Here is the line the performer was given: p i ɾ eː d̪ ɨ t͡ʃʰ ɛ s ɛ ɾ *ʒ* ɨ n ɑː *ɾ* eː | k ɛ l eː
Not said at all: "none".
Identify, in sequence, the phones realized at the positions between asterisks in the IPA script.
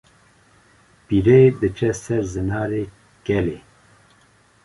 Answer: z, ɾ

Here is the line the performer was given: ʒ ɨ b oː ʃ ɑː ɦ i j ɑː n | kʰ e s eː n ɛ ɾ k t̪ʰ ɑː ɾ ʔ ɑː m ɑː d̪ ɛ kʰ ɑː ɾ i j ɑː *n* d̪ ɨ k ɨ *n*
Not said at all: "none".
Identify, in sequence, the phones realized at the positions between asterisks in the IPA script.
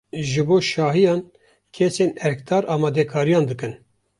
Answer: n, n

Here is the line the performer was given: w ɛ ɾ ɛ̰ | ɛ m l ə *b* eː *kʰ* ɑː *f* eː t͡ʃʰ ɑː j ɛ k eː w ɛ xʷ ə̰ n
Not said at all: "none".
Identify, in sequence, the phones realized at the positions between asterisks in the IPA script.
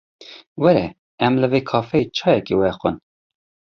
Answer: v, kʰ, f

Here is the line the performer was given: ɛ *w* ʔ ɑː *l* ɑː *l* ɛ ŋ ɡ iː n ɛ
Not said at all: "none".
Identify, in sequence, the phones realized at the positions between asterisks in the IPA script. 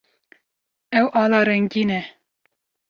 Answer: w, l, ɾ

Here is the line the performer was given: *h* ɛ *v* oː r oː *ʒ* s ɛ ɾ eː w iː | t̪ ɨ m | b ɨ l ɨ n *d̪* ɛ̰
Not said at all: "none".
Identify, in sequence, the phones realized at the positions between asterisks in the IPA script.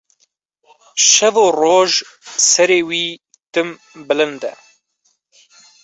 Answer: ʃ, v, ʒ, d̪

